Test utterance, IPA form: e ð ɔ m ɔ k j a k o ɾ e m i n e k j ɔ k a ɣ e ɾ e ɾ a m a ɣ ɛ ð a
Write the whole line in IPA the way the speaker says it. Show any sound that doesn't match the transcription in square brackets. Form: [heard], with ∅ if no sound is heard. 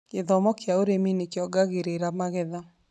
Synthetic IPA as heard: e ð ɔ m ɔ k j a [∅] o ɾ e m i n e k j ɔ [ɡ] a ɣ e ɾ e ɾ a m a ɣ ɛ ð a